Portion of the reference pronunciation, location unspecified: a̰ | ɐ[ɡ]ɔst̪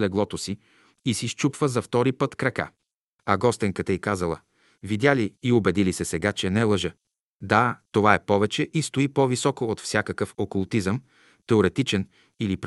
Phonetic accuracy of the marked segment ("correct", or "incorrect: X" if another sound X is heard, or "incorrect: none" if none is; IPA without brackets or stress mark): correct